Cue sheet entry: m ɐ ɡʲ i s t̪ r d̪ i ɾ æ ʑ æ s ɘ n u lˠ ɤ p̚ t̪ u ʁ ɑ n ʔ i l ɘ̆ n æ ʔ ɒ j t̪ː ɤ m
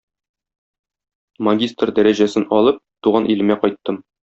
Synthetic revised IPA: m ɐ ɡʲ i s t̪ r d̪ æ ɾ æ ʑ æ s ɘ n ɒ lˠ ɤ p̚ t̪ u ʁ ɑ n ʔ i l ɘ̆ m æ q ɒ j t̪ː ɤ m

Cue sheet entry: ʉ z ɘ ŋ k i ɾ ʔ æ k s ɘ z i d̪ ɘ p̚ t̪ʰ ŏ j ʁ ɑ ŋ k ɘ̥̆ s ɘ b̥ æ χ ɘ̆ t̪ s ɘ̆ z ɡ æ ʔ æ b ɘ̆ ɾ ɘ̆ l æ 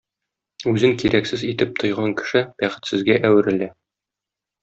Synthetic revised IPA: ʉ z ɘ ŋ k i ɾ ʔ æ k s ɘ z i t̪ ɘ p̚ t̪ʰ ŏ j ʁ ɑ ŋ k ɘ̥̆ ʃ ɘ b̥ æ χ ɘ̆ t̪ s ɘ̆ z ɡ æ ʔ æ w ɘ̆ ɾ ɘ̆ l æ

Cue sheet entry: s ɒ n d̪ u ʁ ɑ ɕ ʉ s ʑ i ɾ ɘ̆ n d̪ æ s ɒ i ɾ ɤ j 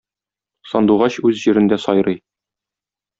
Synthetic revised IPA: s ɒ n d̪ u ʁ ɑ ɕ ʉ z ʑ i ɾ ɘ̆ n d̪ æ s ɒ j ɾ ɤ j

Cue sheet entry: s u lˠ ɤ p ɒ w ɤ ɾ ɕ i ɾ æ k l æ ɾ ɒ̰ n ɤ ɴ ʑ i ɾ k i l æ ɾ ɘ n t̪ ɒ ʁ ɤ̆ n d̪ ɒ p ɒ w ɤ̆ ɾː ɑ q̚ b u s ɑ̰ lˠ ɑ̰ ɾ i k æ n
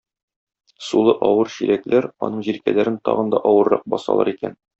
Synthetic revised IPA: s u lˠ ɤ ʔ ɒ w ɤ ɾ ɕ i ɾ æ k l æ ɾ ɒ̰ n ɤ ɴ ʑ i ɾ k æ l æ ɾ ɘ n t̪ ɒ ʁ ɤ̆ n d̪ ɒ ʔ ɒ w ɤ̆ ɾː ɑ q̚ b ɒ s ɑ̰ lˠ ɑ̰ ɾ i k æ n

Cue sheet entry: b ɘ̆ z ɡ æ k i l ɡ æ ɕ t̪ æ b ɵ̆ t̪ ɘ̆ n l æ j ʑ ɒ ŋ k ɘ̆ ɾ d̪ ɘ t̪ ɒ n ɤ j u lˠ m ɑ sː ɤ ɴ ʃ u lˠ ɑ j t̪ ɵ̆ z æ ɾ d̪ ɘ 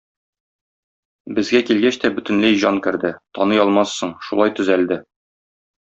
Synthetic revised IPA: b ɘ̆ z ɡ æ k i l ɡ æ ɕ t̪ æ b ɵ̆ t̪ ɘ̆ n l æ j ʑ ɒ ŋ k ɘ̆ ɾ d̪ ɘ t̪ ɒ n ɤ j ɒ lˠ m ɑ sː ɤ ɴ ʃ u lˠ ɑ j t̪ ɵ̆ z æ l d̪ ɘ

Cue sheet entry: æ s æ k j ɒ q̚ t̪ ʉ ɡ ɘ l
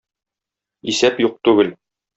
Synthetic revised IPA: i s æ p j u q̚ t̪ ʉ ɡ ɘ l

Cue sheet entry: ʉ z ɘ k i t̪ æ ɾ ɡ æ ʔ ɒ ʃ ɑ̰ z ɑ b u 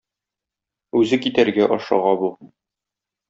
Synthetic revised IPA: ʉ z ɘ k i t̪ æ ɾ ɡ æ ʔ ɒ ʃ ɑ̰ ʁ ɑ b u

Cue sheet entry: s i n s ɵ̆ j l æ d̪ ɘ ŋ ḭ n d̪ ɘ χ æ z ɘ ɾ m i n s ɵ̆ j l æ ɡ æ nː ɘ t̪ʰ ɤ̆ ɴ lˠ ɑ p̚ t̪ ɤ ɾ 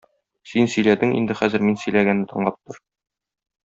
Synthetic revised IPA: s i n s ɵ̆ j l æ d̪ ɘ ŋ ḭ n d̪ ɘ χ æ z ɘ ɾ m i n s ɵ̆ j l æ ɡ æ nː ɘ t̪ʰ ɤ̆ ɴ lˠ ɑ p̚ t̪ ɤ ɾ

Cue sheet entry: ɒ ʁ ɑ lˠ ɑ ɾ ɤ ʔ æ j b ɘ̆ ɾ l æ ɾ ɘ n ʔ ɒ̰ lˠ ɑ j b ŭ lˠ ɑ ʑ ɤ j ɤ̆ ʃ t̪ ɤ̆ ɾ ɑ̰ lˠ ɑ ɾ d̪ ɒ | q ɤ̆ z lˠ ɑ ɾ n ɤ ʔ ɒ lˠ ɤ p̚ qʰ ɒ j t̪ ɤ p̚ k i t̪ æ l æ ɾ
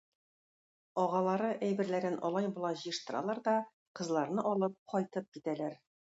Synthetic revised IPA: ɒ ʁ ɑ lˠ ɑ ɾ ɤ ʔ æ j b ɘ̆ ɾ l æ ɾ ɘ n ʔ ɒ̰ lˠ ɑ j b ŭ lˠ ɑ ʑ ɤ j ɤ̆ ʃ t̪ ɤ̆ ɾ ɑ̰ lˠ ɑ ɾ d̪ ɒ | q ɤ̆ z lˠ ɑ ɾ n ɤ ʔ ɒ lˠ ɤ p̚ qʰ ɒ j t̪ ɤ p̚ k i t̪ æ l æ ɾ

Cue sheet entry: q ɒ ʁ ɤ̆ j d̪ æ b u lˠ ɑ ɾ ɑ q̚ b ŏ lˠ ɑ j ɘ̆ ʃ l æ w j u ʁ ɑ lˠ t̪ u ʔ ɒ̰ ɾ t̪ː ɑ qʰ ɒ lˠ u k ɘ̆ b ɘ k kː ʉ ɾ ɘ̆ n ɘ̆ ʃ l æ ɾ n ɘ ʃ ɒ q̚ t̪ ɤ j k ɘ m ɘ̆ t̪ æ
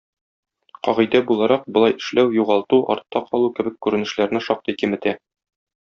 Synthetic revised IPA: q ɒ ʁ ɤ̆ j d̪ æ b u lˠ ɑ ɾ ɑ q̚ b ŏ lˠ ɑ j ɘ̆ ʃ l æ w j u ʁ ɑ lˠ t̪ u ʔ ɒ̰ ɾ t̪ː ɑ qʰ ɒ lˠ u k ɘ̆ b ɘ k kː ʉ ɾ ɘ̆ n ɘ̆ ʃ l æ ɾ n ɘ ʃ ɒ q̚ t̪ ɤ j k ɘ m ɘ̆ t̪ æ

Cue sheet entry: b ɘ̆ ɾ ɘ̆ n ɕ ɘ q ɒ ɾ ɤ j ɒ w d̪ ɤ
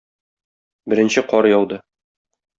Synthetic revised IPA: b ɘ̆ ɾ ɘ̆ n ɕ ɘ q ɒ ɾ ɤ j ɒ w d̪ ɤ

